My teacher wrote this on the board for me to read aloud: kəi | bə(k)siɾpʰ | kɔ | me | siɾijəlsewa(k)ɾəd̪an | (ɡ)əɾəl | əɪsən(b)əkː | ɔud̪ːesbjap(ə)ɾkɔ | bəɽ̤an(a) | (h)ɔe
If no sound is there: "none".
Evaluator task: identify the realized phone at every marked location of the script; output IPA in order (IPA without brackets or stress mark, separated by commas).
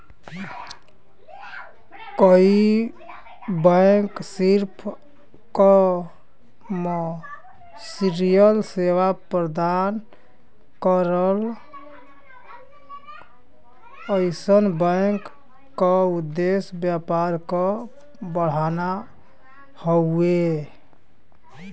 k, p, k, b, a, a, h